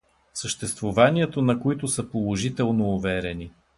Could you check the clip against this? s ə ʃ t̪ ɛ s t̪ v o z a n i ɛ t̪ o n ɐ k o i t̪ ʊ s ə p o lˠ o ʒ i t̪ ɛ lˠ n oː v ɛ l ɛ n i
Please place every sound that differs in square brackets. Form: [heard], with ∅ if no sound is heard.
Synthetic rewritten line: s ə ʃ t̪ ɛ s t̪ v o [v] a n i ɛ t̪ o n ɐ k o i t̪ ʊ s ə p o lˠ o ʒ i t̪ ɛ lˠ n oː v ɛ [ɾ] ɛ n i